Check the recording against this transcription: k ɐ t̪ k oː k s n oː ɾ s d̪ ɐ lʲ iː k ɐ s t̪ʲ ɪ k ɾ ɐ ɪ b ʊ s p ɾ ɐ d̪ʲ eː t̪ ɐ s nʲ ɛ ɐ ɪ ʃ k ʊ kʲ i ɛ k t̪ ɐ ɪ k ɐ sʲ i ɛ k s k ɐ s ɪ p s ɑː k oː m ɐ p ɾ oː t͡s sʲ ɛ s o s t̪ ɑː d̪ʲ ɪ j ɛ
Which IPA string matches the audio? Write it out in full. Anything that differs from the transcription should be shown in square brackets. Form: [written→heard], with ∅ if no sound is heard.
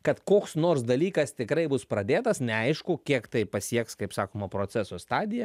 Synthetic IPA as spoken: k ɐ t̪ k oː k s n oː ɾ s d̪ ɐ lʲ iː k ɐ s t̪ʲ ɪ k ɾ ɐ ɪ b ʊ s p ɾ ɐ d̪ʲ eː t̪ ɐ s nʲ ɛ ɐ ɪ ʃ k ʊ kʲ i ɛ k t̪ ɐ ɪ [k→p] ɐ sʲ i ɛ k s k ɐ [s→∅] ɪ p s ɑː k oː m ɐ p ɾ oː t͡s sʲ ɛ s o s t̪ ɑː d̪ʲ ɪ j ɛ